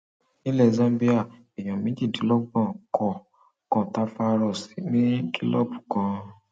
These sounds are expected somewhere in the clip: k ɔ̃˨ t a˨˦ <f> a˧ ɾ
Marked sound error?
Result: no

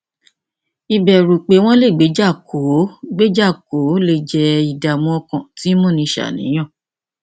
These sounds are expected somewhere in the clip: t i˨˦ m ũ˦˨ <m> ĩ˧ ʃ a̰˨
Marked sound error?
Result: yes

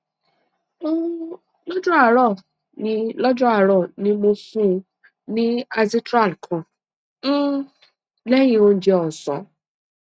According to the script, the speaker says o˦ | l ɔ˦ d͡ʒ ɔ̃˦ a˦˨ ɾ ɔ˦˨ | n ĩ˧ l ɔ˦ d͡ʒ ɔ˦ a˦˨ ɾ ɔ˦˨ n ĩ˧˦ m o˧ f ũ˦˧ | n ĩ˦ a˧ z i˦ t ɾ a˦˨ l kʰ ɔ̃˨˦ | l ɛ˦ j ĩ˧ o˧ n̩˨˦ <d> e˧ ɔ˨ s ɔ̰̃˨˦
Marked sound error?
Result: yes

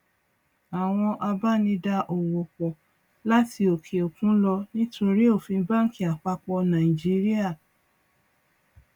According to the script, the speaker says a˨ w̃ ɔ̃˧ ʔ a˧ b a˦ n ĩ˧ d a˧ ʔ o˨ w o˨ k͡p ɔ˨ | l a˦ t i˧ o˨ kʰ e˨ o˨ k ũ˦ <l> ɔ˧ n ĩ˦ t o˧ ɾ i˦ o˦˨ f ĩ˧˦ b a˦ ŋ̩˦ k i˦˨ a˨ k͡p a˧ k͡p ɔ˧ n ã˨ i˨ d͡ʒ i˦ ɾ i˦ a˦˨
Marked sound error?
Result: no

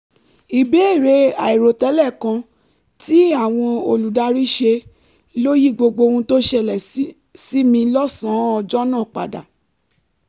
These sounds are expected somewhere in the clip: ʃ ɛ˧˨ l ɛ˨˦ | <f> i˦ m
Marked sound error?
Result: yes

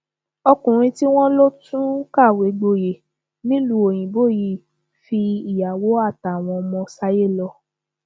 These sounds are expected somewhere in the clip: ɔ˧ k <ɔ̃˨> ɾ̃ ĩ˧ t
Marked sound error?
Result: yes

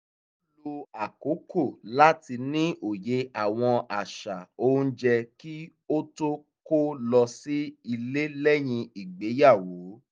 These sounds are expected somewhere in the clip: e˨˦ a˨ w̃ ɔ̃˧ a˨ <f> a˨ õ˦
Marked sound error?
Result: yes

